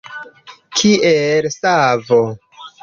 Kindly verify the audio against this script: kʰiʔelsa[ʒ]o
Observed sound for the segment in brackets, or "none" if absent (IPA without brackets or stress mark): v